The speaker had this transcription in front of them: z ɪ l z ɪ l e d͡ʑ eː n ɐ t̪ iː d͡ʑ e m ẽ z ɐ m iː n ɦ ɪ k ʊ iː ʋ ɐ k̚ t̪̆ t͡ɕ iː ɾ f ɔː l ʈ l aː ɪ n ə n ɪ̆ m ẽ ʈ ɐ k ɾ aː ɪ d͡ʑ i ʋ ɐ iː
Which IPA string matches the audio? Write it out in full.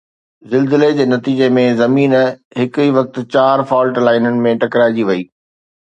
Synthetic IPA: z ɪ l z ɪ l e d͡ʑ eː n ɐ t̪ iː d͡ʑ e m ẽ z ɐ m iː n ɦ ɪ k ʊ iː ʋ ɐ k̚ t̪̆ t͡ɕ aː ɾ f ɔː l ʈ l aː ɪ n ə n ɪ̆ m ẽ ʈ ɐ k ɾ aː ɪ d͡ʑ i ʋ ɐ iː